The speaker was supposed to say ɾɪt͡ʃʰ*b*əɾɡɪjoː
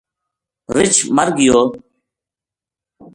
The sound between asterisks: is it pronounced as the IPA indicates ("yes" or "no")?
no